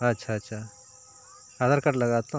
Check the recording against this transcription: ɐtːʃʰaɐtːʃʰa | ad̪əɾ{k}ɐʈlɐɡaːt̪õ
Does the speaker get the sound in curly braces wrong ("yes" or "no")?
no